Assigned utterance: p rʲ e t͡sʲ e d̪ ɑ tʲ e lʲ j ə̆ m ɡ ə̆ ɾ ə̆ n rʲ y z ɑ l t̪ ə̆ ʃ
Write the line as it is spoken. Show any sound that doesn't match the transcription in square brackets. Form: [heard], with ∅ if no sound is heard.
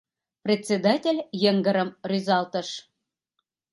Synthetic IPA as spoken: p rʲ e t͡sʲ e d̪ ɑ tʲ e lʲ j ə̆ [ŋ] ɡ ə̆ ɾ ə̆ [m] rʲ y z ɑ l t̪ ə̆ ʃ